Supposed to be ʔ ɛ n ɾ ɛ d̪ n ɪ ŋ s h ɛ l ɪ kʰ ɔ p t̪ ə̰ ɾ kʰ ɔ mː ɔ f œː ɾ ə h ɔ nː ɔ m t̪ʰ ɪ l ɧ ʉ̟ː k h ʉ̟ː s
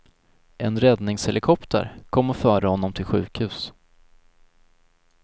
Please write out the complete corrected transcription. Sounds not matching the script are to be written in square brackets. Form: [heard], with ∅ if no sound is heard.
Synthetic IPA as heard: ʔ ɛ n ɾ ɛ d̪ n ɪ ŋ s h ɛ l ɪ kʰ ɔ p t̪ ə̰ ɾ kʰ ɔ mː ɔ f œː ɾ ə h ɔ nː ɔ m t̪ʰ ɪ l ɧ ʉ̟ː k h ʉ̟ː s